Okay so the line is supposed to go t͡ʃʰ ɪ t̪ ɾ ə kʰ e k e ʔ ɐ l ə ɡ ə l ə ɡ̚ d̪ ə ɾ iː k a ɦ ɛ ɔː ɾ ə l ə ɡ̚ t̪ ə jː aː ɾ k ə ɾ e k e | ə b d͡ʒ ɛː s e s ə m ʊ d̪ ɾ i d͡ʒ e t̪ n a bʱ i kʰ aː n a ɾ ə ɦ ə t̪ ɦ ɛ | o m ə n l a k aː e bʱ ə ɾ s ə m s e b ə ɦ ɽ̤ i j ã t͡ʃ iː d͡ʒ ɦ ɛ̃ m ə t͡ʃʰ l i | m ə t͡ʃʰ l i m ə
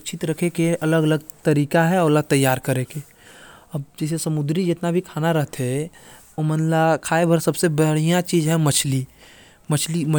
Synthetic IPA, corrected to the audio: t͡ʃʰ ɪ t̪ ɾ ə kʰ e k e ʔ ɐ l ə ɡ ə l ə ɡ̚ t̪ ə ɾ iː k a ɦ ɛ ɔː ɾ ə l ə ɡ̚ t̪ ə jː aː ɾ k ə ɾ e k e | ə b d͡ʒ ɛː s e s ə m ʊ d̪ ɾ i d͡ʒ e t̪ n a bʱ i kʰ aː n a ɾ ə ɦ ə t̪ ɦ ɛ | o m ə n l a kʰ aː e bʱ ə ɾ s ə b s e b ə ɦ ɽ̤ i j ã t͡ʃ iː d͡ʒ ɦ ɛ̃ m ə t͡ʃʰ l i | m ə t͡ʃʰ l i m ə

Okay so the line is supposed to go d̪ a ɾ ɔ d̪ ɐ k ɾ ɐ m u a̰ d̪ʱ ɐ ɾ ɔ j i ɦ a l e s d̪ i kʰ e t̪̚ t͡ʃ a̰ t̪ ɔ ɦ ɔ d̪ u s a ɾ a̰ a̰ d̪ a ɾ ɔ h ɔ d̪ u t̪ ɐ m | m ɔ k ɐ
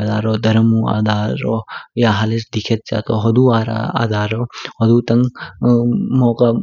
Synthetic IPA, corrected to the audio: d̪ a ɾ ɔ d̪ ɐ ɾ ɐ m u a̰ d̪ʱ a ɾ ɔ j a ɦ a l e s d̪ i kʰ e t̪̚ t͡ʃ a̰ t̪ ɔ ɦ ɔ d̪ u a ɾ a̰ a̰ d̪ a ɾ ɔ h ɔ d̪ u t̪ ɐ ŋ | m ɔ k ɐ

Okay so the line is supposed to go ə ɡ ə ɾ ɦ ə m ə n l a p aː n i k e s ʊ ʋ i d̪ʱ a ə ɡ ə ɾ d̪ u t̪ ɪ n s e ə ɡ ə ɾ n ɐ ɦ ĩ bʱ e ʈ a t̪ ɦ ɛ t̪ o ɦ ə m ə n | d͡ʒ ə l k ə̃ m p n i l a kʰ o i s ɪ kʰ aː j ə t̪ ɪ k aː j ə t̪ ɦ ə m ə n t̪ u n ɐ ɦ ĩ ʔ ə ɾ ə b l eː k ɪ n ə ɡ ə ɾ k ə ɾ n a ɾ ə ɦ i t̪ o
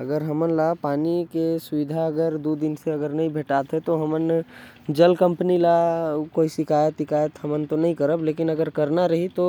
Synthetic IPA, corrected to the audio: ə ɡ ə ɾ ɦ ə m ə n l a p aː n i k e s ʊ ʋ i d̪ʱ a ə ɡ ə ɾ d̪ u d̪ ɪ n s e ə ɡ ə ɾ n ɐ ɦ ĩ bʱ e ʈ a t̪ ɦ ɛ t̪ o ɦ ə m ə n | d͡ʒ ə l k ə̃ m p n i l a k o i s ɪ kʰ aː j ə t̪ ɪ k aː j ə t̪ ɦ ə m ə n t̪ o n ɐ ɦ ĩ k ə ɾ ə b l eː k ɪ n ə ɡ ə ɾ k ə ɾ n a ɾ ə ɦ i t̪ o

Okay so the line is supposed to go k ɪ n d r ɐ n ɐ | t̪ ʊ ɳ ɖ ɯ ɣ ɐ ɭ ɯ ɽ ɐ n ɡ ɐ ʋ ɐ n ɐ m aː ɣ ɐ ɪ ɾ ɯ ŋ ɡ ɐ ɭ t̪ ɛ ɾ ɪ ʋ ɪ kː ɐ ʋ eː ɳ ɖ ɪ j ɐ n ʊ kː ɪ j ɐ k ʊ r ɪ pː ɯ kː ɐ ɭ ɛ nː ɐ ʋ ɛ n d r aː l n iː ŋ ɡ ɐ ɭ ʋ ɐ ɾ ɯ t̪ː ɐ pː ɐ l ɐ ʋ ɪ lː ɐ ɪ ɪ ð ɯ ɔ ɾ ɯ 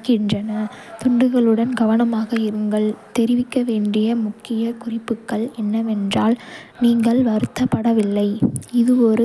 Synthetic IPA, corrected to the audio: k ɪ n d r ɐ n ɐ | t̪ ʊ ɳ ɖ ɯ ɣ ɐ ɭ ɯ ɽ ɐ n ɡ ɐ ʋ ɐ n ɐ m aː ɣ ɐ ɪ ɾ ɯ ŋ ɡ ɐ ɭ t̪ ɛ ɾ ɪ ʋ ɪ kː ɐ ʋ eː ɳ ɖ ɪ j ɐ m ʊ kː ɪ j ɐ k ʊ r ɪ pː ɯ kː ɐ ɭ ɛ nː ɐ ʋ ɛ n d r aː l n iː ŋ ɡ ɐ ɭ ʋ ɐ ɾ ɯ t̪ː ɐ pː ɐ ɽ ɐ ʋ ɪ lː ɐ ɪ ɪ ð ɯ ɔ ɾ ɯ

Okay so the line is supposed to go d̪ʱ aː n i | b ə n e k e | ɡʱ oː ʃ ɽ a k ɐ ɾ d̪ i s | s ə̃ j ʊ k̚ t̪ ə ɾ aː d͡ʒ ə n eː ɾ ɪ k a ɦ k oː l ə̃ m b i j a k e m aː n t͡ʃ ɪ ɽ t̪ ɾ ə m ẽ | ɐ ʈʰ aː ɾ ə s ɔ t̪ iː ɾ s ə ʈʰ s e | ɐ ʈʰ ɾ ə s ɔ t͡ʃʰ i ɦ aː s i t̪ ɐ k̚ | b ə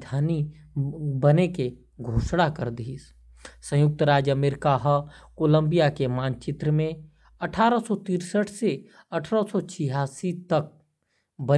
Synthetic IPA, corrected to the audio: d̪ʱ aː n i | b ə n e k e | ɡʱ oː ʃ ɽ a k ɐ ɾ d̪ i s | s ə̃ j ʊ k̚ t̪ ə ɾ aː d͡ʒ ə m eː ɾ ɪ k a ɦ k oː l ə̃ m b i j a k e m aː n t͡ʃ ɪ t̪ ɾ ə m ẽ | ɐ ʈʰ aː ɾ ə s ɔ t̪ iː ɾ s ə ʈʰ s e | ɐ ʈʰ ɾ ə s ɔ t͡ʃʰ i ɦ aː s i t̪ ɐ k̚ | b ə

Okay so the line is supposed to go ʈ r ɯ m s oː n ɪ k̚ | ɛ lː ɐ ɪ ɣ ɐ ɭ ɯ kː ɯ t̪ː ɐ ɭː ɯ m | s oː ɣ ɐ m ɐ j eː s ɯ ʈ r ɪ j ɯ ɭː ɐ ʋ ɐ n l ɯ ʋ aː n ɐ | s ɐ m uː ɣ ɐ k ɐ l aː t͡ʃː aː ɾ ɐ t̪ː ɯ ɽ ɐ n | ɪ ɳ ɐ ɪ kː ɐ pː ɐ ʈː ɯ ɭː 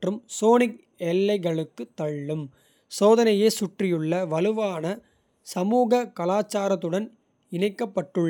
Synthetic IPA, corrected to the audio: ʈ r ɯ m s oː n ɪ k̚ | ɛ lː ɐ ɪ ɣ ɐ ɭ ɯ kː ɯ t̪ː ɐ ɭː ɯ m | s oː ð ɐ n ɐ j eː s ʊ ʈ r ɪ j ɯ ɭː ɐ ʋ ɐ l ɯ ʋ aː n ɐ | s ɐ m uː ɣ ɐ k ɐ l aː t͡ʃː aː ɾ ɐ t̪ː ɯ ɽ ɐ n | ɪ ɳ ɐ ɪ kː ɐ pː ɐ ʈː ɯ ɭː

